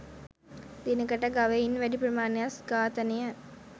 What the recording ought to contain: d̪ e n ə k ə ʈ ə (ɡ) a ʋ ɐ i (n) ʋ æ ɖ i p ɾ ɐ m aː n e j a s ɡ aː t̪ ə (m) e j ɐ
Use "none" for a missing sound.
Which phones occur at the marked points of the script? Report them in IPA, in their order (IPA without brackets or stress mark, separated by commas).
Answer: ɡ, n, n